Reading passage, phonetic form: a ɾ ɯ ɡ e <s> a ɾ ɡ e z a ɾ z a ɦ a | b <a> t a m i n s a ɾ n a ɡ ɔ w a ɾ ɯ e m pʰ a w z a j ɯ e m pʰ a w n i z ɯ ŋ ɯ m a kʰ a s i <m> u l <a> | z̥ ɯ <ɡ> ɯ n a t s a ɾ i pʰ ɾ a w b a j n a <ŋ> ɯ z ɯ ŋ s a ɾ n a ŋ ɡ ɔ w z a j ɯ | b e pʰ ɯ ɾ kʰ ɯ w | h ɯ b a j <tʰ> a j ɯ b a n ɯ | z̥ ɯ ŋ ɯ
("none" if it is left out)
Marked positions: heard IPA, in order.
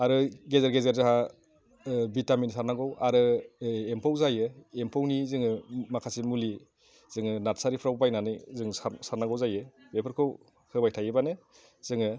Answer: z, i, m, i, ŋ, n, tʰ

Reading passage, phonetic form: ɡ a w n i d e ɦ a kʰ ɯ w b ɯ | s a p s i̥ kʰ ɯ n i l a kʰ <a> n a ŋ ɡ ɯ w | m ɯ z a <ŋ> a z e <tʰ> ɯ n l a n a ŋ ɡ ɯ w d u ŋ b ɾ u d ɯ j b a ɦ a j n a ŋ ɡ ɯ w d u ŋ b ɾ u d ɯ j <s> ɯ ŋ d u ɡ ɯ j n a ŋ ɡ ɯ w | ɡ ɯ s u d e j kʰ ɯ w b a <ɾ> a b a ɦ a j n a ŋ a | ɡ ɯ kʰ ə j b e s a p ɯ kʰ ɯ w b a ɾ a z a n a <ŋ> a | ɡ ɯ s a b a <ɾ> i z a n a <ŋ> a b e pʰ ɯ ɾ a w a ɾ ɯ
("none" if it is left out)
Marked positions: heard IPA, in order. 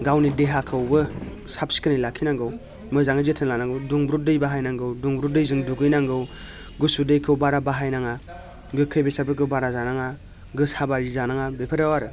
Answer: i, ŋ, tʰ, z, ɾ, ŋ, ɾ, ŋ

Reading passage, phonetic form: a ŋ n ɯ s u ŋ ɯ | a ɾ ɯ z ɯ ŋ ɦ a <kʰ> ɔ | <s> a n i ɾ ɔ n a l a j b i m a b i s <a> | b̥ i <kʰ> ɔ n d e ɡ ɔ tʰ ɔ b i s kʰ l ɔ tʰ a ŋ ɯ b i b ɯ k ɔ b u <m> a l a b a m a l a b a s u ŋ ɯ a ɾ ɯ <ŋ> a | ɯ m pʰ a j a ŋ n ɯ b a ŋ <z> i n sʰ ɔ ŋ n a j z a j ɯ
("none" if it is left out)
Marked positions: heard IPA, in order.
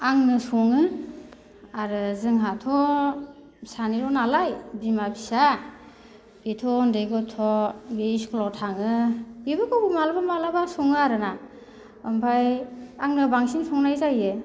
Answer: tʰ, s, a, tʰ, m, n, s

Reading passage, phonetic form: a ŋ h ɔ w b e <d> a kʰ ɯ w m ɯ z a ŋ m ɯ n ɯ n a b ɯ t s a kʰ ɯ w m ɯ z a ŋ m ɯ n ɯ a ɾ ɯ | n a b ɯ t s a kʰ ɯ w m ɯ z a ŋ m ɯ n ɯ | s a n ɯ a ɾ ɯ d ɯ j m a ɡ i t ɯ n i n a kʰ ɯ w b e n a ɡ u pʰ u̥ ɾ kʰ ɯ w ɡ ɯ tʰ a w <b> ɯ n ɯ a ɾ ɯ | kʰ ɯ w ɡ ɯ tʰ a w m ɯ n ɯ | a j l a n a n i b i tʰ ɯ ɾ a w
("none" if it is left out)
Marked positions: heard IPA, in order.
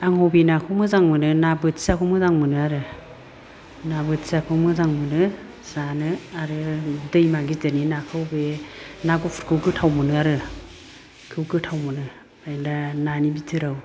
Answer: n, m

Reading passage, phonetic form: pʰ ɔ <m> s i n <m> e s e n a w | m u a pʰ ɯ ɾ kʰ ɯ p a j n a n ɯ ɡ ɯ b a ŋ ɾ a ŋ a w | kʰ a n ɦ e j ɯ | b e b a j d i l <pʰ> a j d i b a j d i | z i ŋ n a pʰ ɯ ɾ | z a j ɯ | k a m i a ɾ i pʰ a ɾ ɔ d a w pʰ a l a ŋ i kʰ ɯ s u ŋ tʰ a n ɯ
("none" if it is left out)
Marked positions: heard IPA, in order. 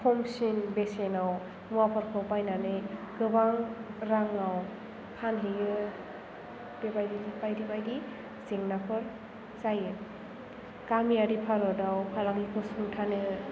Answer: m, b, p

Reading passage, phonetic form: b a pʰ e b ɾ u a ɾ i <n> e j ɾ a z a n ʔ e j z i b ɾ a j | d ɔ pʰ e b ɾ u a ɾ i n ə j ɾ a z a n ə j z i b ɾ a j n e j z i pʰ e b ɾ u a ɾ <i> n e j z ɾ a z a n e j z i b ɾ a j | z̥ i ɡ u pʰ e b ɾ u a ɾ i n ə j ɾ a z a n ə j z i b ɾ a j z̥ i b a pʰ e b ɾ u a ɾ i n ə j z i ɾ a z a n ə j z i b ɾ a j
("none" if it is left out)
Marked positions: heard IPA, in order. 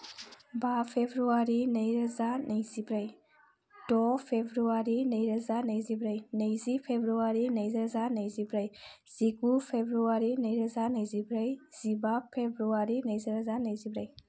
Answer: n, i

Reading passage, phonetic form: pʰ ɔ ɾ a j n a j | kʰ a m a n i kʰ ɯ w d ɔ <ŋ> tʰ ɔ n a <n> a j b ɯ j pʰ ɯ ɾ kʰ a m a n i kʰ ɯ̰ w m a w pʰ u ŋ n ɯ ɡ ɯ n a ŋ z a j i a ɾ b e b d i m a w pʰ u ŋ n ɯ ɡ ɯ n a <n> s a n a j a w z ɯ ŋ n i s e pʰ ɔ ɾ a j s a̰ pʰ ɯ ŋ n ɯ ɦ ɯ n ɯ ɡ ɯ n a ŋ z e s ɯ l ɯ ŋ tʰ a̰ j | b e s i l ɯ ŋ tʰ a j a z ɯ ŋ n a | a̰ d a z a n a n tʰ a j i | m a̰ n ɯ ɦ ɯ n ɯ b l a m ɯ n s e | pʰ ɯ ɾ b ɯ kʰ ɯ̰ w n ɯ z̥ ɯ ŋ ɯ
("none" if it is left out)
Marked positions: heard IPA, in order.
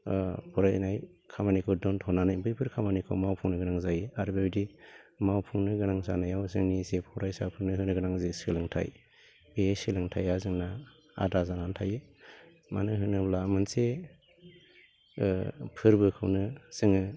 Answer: n, n, ŋ

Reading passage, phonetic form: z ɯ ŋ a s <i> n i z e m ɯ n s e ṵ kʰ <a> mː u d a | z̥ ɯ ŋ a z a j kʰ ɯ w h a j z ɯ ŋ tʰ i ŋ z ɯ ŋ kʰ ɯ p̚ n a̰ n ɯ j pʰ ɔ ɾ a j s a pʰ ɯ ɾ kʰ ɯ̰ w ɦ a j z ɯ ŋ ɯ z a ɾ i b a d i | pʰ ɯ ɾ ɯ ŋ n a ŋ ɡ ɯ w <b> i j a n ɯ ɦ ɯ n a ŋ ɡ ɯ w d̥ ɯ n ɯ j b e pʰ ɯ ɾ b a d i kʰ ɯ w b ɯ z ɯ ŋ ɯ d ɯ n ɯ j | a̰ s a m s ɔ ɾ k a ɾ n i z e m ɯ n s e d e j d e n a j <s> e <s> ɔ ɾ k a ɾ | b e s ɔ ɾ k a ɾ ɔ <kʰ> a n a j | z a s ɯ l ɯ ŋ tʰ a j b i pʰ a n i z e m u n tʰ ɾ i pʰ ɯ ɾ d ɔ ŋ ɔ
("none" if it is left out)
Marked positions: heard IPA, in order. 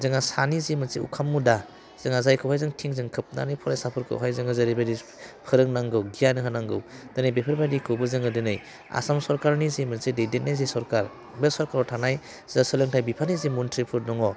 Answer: a, a, ɡ, z, s, tʰ

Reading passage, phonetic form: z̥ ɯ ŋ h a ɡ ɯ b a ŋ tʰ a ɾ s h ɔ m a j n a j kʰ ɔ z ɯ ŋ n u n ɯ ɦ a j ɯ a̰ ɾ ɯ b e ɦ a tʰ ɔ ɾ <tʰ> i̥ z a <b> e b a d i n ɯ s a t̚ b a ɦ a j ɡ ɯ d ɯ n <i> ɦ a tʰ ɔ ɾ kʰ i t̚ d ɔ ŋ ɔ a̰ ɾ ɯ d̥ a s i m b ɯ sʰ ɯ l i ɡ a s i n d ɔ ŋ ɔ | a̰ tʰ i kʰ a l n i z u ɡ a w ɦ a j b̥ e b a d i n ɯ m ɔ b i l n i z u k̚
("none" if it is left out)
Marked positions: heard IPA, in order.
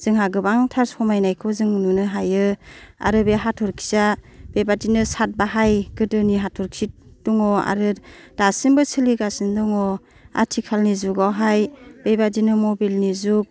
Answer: kʰ, b, i

